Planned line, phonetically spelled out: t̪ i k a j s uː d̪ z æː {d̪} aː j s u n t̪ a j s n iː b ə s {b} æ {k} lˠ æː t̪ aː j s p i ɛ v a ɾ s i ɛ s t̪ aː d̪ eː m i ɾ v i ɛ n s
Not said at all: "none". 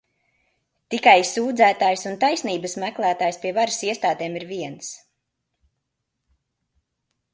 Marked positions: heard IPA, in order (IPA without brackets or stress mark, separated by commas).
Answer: t̪, m, k